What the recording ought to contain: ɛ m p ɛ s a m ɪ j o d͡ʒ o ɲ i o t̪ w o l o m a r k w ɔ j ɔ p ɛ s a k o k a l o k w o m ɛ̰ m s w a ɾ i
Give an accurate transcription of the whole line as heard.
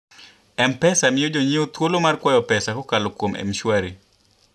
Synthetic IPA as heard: ɛ m p ɛ s a m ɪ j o d͡ʒ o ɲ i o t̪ w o l o m a r k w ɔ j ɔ p ɛ s a k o k a l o k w o m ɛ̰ m ʃ w a ɾ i